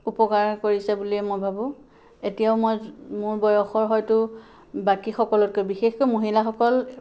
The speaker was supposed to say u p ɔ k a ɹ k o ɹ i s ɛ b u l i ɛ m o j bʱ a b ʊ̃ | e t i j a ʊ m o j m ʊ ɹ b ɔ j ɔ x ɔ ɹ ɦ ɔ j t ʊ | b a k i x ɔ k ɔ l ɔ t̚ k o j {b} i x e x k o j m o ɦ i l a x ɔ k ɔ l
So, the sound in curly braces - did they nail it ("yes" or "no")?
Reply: yes